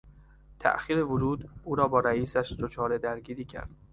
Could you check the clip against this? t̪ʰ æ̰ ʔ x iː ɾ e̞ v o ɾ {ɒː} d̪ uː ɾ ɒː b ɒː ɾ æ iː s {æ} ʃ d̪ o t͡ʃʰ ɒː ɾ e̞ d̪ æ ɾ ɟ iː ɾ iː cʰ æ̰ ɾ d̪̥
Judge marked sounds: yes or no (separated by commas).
no, yes